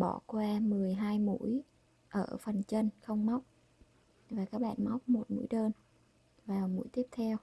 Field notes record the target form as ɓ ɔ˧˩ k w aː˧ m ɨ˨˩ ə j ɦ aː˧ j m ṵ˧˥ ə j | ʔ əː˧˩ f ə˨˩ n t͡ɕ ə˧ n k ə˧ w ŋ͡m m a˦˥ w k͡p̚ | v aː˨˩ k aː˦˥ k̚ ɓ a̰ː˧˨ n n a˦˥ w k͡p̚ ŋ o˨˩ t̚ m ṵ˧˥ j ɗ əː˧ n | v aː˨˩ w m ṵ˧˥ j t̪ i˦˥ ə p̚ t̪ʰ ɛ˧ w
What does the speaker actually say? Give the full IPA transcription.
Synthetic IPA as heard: ɓ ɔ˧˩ k w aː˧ m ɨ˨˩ ə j ɦ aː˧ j m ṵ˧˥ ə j | ʔ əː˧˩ f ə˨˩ n t͡ɕ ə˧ n x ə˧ w ŋ͡m m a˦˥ w k͡p̚ | v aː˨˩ k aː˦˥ k̚ ɓ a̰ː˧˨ n m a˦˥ w k͡p̚ m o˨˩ t̚ m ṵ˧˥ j ɗ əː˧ n | v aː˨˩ w m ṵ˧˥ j t̪ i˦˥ ə p̚ t̪ʰ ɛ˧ w